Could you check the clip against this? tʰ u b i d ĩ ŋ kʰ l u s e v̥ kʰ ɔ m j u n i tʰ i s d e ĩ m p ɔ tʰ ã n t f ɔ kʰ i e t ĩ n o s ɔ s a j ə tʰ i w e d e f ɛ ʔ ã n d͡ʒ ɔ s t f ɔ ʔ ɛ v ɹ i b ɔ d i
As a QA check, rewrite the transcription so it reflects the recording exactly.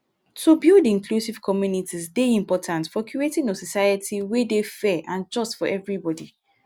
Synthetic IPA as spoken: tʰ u b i d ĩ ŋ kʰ l u s i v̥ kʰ ɔ m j u n i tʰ i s d e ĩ m p ɔ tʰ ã n t f ɔ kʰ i e t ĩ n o s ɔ s a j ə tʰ i w e d e f ɛ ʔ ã n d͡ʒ ɔ s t f ɔ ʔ ɛ v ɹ i b ɔ d i